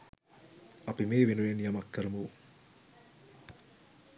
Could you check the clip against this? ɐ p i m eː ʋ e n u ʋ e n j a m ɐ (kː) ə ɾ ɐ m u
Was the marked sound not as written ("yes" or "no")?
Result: no